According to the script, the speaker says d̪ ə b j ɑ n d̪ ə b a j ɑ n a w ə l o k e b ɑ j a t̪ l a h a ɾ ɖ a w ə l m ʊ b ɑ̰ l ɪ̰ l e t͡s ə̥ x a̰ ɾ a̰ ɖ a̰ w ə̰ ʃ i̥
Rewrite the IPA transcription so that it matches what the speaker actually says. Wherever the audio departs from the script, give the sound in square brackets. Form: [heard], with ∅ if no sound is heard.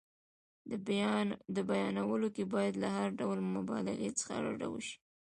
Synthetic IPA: d̪ ə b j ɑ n d̪ ə b a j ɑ n a w ə l o k e b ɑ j a [d̪] l a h a ɾ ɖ a w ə l m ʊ b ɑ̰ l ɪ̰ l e t͡s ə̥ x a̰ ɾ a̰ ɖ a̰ w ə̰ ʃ i̥